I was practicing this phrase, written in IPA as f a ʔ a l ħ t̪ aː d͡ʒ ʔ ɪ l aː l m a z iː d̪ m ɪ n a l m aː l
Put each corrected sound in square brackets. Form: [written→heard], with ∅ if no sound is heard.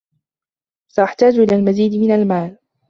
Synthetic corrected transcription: [f→s] a ʔ a [l→∅] ħ t̪ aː d͡ʒ ʔ ɪ l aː l m a z iː d̪ m ɪ n a l m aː l